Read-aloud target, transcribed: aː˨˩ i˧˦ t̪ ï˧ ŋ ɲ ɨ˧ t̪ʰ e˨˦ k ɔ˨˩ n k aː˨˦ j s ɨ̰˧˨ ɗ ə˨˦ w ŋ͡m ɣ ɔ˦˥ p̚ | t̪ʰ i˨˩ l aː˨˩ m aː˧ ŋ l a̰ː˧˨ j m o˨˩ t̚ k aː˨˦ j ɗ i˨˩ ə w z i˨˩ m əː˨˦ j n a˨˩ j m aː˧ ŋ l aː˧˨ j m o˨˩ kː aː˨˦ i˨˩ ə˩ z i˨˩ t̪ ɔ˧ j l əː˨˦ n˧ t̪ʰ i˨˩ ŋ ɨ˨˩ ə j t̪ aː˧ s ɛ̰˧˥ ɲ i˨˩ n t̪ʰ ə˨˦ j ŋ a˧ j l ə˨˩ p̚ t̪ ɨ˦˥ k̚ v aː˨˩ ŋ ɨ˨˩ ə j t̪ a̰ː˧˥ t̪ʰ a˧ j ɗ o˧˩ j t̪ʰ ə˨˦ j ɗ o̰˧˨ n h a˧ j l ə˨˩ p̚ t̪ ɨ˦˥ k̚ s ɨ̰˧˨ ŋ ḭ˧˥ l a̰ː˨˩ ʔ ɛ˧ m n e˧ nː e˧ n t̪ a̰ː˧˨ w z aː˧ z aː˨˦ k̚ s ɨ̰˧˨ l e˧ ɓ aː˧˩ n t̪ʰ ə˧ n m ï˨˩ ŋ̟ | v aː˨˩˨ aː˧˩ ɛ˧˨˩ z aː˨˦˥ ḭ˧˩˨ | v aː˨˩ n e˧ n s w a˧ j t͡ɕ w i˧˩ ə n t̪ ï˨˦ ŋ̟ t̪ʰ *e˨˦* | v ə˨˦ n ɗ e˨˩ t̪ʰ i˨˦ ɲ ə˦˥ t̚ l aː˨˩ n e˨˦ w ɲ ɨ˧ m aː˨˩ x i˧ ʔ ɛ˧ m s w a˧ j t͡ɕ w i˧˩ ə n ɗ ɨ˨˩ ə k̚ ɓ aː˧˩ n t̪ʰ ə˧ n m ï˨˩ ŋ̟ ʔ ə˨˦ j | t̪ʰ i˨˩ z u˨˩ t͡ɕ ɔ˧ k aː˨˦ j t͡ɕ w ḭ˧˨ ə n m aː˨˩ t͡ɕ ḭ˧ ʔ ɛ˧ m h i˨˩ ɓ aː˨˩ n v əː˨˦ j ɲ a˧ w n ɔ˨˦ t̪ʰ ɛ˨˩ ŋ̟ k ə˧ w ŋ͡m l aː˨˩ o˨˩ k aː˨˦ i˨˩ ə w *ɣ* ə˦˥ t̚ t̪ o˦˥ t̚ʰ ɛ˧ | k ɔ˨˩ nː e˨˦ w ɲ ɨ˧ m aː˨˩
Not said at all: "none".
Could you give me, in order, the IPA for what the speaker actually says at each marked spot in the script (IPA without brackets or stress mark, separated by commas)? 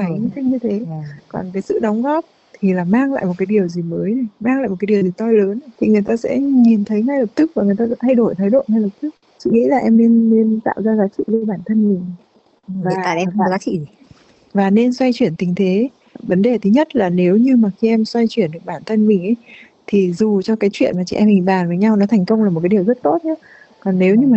e˨˦, z